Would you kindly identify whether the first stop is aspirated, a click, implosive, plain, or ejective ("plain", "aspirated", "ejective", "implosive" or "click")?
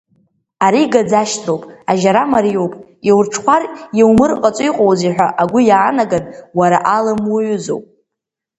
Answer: plain